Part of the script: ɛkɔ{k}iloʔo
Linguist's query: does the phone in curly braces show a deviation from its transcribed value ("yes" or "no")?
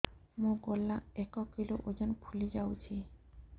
no